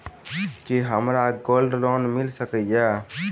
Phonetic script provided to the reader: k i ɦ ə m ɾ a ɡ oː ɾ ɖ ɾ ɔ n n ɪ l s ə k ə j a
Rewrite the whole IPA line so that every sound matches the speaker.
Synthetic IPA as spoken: k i ɦ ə m ɾ a ɡ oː l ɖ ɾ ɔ n m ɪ l s ə k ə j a

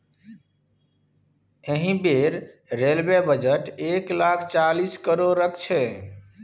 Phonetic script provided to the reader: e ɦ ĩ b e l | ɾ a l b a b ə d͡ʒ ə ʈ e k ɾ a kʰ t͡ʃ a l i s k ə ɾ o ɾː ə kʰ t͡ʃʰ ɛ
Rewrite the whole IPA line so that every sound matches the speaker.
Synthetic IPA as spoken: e ɦ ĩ b e ɾ | ɾ e l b e b ə d͡ʒ ə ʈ e k l a kʰ t͡ʃ a l i s k ə ɾ o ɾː ə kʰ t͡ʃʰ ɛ

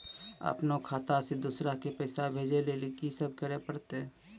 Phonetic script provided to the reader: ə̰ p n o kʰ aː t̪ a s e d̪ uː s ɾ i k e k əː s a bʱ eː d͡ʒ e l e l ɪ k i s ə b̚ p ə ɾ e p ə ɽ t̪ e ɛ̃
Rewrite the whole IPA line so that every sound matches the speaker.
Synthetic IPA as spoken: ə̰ p n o kʰ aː t̪ a s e d̪ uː s ɾ a k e p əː s a bʱ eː d͡ʒ e l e l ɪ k i s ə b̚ k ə ɾ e p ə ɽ t̪ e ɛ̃

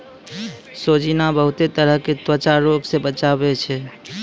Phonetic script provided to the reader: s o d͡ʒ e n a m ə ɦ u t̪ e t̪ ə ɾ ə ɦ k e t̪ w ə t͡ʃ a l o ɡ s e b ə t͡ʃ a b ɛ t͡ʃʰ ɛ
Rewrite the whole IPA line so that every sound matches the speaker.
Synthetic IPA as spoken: s o d͡ʒ i n a b ə ɦ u t̪ e t̪ ə ɾ ə ɦ k e t̪ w ə t͡ʃ a ɾ o ɡ s e b ə t͡ʃ a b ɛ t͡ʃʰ ɛ

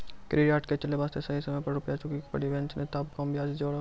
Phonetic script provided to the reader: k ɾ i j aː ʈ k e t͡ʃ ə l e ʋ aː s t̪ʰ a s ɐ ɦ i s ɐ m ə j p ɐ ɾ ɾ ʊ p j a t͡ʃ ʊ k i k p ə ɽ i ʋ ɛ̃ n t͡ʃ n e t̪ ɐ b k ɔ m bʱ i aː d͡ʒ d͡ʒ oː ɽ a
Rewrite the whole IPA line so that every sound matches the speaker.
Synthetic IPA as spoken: k ɾ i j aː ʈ k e t͡ʃ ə l e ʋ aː s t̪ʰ e s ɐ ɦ i s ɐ m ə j p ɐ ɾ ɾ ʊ p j a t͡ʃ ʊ k i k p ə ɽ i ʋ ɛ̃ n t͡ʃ n e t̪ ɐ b k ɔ m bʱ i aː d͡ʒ d͡ʒ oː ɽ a

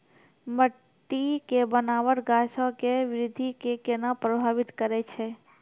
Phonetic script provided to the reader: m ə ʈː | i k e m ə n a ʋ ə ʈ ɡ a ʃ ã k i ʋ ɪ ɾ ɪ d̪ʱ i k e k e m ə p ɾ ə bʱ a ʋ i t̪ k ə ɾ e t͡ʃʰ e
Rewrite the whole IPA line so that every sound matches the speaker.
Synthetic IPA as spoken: m ə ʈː | i k e b ə n a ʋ ə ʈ ɡ a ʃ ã k e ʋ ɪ ɾ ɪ d̪ʱ i k e k e n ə p ɾ ə bʱ a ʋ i t̪ k ə ɾ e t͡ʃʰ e

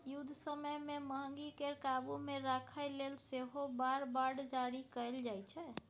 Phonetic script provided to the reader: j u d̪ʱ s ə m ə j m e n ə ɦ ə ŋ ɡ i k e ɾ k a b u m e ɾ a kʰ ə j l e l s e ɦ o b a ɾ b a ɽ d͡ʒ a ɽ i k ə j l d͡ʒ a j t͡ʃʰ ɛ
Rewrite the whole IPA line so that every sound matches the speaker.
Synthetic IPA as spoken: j u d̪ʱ s ə m ə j m e m ə ɦ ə ŋ ɡ i k e ɾ k a b u m e ɾ a kʰ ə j l e l s e ɦ o b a ɾ b a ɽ d͡ʒ a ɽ i k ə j l d͡ʒ a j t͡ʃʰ ɛ

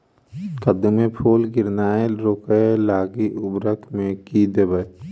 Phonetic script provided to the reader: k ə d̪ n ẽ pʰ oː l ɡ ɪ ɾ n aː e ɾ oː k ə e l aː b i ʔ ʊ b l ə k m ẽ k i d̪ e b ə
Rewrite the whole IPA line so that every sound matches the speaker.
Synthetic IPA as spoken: k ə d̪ m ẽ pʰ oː l ɡ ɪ ɾ n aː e ɾ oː k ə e l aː ɡ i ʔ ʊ b ɾ ə k m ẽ k i d̪ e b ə

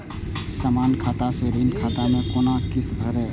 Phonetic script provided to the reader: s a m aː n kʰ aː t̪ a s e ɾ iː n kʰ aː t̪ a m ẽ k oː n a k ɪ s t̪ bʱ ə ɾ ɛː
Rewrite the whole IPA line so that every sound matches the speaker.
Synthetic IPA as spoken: s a m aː n kʰ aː t̪ a s e ɾ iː n kʰ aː t̪ a m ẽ k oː n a k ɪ s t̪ bʱ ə ɾ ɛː

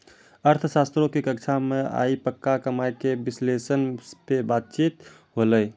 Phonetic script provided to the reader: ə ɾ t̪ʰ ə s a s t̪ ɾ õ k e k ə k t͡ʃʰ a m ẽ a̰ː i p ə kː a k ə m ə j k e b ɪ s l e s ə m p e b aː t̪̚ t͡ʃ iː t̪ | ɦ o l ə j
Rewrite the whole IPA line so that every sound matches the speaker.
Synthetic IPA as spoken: ə ɾ t̪ʰ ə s a s t̪ ɾ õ k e k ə k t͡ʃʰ a m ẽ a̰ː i p ə kː a k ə m a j k e b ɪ s l e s ə n p e b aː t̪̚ t͡ʃ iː t̪ | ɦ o l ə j

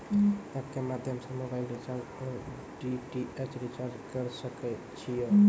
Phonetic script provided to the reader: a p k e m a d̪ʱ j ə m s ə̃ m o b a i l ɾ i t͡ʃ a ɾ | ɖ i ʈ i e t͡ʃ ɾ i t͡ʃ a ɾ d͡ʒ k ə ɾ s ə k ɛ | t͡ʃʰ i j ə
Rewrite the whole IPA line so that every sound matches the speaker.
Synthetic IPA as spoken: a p k e m a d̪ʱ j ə m s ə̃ m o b a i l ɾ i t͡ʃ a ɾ | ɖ i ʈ i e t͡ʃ ɾ i t͡ʃ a ɾ d͡ʒ k ə ɾ s ə k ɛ | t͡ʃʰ i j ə

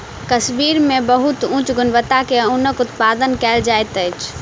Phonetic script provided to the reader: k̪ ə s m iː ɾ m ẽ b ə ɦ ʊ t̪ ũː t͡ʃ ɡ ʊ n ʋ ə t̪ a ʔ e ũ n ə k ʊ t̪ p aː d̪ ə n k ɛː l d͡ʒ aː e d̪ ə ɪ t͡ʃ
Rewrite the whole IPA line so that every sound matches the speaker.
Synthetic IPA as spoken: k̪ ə s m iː ɾ m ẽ b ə ɦ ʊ t̪ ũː t͡ʃ ɡ ʊ n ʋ ə t̪ a k e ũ n ə k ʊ t̪ p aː d̪ ə n k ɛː l d͡ʒ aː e t̪ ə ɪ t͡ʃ

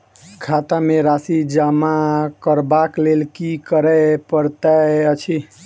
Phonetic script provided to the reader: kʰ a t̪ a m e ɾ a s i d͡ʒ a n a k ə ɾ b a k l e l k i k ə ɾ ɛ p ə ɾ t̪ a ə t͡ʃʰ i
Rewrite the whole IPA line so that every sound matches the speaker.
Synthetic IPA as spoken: kʰ a t̪ a m e ɾ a s i d͡ʒ a m a k ə ɾ b a k l e l k i k ə ɾ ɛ p ə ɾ t̪ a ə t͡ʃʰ i

